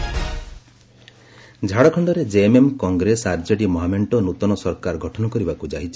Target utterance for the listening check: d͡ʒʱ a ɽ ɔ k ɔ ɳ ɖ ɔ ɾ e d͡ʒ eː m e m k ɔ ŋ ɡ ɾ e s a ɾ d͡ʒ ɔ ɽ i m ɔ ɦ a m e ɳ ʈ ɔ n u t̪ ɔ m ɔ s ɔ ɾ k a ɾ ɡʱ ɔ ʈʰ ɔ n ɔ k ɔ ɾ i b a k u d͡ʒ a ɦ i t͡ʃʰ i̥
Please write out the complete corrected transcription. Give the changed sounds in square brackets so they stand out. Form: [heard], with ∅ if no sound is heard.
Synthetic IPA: d͡ʒʱ a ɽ ɔ [kʰ] ɔ ɳ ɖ ɔ ɾ e d͡ʒ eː m e m k ɔ ŋ ɡ ɾ e s a ɾ d͡ʒ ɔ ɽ i m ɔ ɦ a m e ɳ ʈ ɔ n u t̪ ɔ [n] ɔ s ɔ ɾ k a ɾ ɡʱ ɔ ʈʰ ɔ n ɔ k ɔ ɾ i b a k u d͡ʒ a ɦ i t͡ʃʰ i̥